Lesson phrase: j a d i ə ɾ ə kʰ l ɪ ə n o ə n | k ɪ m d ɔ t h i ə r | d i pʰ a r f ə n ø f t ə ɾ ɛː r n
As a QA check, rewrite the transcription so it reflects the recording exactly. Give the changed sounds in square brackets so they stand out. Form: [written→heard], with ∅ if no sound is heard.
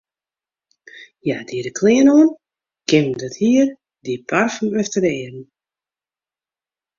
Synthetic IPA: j a d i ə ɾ ə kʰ l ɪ ə n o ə n | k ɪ m d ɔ t h i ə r | d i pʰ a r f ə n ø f t ə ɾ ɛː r n